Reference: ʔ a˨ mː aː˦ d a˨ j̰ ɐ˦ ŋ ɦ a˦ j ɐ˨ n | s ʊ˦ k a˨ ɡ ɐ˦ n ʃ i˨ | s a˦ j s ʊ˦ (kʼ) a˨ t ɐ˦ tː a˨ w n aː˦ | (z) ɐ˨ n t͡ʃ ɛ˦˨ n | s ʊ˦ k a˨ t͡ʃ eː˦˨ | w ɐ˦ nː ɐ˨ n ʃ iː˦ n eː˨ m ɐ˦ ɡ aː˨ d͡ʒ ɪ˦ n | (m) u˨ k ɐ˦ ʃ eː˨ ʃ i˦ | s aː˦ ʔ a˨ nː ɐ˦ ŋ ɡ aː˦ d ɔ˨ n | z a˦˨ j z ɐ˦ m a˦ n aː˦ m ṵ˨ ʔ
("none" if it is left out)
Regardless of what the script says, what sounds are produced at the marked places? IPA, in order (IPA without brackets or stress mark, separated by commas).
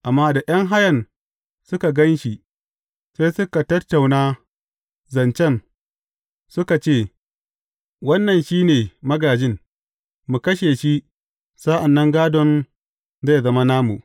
k, z, m